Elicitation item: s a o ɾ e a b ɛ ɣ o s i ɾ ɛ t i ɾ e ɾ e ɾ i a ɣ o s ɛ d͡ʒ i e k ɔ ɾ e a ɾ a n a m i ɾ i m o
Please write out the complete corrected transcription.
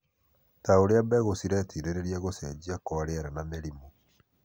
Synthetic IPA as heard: t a o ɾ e a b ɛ ɣ o s i ɾ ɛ t i ɾ e ɾ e ɾ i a ɣ o s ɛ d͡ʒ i a k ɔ ɾ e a ɾ a n a m e ɾ i m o